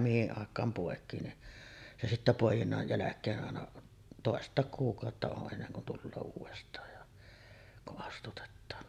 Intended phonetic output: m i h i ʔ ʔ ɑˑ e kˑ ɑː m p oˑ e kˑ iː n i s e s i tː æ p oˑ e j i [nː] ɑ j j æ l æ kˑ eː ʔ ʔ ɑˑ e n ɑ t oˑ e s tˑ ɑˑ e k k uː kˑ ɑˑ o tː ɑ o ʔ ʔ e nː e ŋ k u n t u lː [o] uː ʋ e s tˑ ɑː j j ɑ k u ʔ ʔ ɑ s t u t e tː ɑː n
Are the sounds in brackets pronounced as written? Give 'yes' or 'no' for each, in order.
yes, no

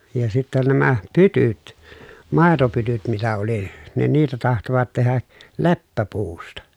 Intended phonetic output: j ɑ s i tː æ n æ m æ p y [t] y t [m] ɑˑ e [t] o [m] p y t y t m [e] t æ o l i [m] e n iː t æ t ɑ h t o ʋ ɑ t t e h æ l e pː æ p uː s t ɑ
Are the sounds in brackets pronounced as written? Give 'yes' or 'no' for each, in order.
yes, yes, yes, no, no, no

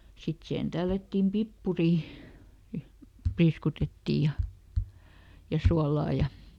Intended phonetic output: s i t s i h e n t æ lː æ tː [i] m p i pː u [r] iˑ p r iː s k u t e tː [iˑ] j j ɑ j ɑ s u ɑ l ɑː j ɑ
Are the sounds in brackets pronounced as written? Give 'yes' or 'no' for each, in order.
no, yes, yes

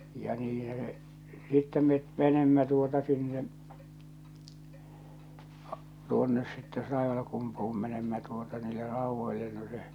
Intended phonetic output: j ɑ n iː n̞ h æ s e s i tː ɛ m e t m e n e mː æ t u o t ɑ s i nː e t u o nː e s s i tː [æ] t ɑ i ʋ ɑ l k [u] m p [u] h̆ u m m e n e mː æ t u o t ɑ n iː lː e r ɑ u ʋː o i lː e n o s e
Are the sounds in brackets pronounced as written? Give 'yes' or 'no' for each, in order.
no, yes, yes

